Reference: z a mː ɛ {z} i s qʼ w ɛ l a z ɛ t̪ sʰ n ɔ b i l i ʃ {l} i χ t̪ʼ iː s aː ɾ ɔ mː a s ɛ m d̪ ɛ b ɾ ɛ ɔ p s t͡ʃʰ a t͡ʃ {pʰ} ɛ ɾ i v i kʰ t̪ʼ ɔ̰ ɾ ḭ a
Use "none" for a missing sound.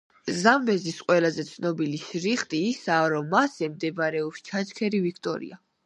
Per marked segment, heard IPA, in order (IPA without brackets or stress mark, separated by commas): z, ɾ, kʰ